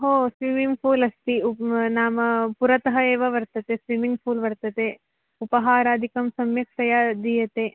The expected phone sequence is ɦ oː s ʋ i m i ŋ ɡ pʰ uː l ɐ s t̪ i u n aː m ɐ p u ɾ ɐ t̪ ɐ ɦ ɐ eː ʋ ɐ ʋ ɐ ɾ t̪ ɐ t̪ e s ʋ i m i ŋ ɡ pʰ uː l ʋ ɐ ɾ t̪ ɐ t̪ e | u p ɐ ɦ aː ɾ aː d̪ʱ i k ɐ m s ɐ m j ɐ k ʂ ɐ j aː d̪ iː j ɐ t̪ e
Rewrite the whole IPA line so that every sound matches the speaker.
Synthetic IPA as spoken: ɦ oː s ʋ i m i ŋ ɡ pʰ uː l ɐ s t̪ i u n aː m ɐ p u ɾ ɐ t̪ ɐ ɦ ɐ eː ʋ ɐ ʋ ɐ ɾ t̪ ɐ t̪ e s ʋ i m i ŋ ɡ pʰ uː l ʋ ɐ ɾ t̪ ɐ t̪ e | u p ɐ ɦ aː ɾ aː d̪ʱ i k ɐ m s ɐ m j ɐ k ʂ ɐ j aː d̪ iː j ɐ t̪ e